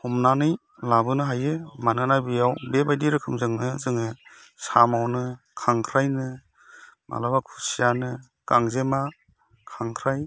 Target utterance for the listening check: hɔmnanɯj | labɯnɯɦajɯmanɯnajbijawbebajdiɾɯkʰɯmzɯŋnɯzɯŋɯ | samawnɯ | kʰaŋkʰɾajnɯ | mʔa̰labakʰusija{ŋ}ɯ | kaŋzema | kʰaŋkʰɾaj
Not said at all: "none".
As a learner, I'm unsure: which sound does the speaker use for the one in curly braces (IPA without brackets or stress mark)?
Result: n